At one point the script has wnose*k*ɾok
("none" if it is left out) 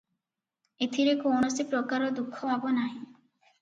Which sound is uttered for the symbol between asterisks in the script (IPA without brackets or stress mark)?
p